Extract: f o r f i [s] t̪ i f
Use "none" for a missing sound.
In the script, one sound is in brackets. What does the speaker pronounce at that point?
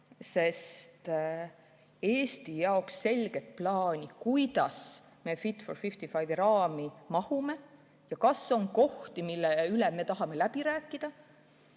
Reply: f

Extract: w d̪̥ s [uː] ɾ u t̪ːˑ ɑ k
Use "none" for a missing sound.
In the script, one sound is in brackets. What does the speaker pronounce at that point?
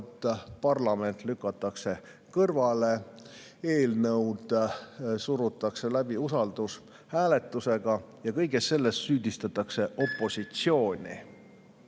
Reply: u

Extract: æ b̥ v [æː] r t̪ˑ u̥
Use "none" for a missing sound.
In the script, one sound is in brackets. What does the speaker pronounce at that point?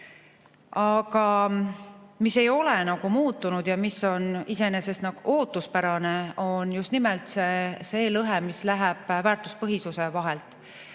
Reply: æː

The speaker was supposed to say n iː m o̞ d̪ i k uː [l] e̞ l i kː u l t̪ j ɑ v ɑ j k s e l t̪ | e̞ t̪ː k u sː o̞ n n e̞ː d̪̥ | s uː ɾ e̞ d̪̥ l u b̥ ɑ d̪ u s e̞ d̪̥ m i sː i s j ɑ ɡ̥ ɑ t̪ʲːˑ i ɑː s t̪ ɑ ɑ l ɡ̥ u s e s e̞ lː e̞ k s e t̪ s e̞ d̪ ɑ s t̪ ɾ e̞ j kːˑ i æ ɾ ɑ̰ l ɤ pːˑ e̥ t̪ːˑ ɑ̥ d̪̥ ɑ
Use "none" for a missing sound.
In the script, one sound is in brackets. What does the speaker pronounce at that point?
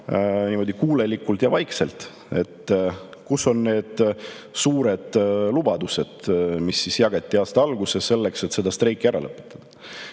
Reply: l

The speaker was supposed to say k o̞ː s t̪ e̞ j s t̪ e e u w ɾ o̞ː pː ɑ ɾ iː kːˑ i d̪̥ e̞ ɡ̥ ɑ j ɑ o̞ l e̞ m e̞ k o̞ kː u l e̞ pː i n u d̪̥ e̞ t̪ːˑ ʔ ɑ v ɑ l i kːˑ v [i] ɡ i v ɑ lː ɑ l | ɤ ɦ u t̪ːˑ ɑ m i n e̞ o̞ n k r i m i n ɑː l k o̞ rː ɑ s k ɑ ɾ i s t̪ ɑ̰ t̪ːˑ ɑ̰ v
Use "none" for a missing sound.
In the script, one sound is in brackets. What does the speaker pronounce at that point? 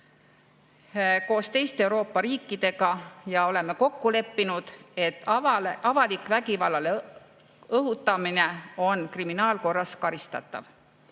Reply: æ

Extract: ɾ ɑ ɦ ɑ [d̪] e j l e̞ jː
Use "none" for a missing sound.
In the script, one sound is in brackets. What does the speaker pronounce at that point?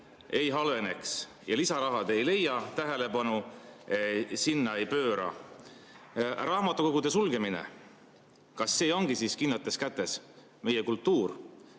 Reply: d̪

